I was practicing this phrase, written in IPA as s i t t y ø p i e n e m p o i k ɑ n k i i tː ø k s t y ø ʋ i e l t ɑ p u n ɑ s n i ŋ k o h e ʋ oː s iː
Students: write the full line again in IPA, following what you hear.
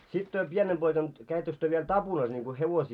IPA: s i t t y ø p i e n e m p o i k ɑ n k æ i tː ø k s t y ø ʋ i e l t ɑ p u n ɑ s n i ŋ k o h e ʋ o s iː